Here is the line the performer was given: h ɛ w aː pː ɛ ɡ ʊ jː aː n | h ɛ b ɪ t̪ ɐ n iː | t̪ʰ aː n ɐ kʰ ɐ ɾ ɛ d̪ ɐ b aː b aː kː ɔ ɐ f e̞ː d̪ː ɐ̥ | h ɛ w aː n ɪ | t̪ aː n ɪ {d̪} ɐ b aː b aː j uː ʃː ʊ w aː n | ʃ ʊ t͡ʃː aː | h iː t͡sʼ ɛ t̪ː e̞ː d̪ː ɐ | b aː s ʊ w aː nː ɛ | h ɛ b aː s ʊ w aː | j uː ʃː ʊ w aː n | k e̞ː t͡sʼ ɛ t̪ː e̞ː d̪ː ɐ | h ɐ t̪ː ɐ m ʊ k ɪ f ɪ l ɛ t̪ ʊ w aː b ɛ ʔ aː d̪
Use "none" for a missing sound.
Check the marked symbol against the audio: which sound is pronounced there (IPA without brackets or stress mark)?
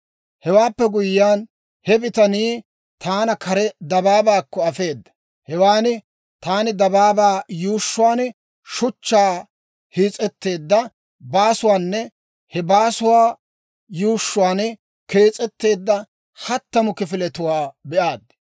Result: d̪